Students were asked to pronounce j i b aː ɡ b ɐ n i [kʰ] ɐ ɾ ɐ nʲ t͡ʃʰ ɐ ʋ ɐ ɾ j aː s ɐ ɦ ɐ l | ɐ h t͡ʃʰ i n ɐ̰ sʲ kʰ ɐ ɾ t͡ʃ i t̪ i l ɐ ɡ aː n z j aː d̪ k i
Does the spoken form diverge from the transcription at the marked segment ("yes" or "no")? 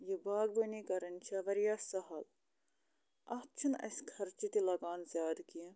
yes